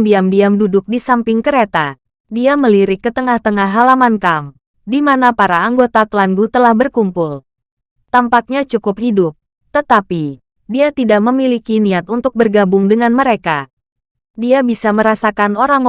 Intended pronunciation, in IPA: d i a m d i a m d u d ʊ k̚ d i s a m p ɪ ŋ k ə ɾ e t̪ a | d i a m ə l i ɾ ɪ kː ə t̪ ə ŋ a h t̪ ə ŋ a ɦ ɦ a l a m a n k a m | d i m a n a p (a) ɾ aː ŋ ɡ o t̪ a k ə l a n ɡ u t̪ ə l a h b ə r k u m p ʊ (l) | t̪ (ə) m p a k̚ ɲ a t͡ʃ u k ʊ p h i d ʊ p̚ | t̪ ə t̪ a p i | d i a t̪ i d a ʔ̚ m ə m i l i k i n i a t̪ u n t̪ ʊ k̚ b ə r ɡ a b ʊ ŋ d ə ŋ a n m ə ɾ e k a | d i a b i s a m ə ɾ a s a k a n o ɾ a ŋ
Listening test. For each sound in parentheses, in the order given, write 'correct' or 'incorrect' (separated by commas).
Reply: correct, correct, incorrect